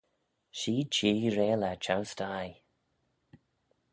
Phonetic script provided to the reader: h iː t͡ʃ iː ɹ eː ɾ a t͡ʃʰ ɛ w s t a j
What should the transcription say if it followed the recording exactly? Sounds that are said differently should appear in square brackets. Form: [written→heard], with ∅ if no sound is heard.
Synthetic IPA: [h→ʃ] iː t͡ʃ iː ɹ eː [ɾ→l] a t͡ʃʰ [ɛ→a] w s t a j